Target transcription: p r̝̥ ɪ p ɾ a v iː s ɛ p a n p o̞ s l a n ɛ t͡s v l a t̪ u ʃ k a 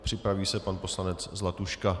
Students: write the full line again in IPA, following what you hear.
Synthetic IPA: p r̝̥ ɪ p ɾ a v iː s ɛ p a n p o̞ s l a n ɛ t͡s z l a t̪ u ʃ k a